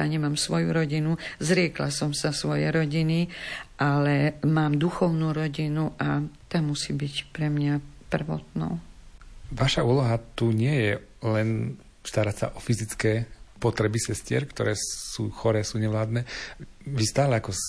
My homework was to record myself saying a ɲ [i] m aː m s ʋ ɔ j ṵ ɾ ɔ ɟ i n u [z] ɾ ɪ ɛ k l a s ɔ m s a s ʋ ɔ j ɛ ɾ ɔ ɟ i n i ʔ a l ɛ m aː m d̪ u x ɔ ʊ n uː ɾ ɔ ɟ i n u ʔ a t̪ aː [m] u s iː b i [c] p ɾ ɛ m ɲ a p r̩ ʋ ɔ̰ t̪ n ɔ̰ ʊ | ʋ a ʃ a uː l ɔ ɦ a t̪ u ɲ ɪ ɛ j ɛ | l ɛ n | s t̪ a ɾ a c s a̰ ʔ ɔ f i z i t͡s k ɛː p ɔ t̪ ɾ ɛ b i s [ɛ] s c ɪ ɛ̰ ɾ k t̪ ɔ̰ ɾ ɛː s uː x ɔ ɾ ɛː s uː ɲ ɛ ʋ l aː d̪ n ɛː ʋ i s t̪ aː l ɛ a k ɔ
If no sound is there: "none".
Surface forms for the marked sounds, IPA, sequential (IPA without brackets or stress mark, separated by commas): ɛ, z, m, c, ɛ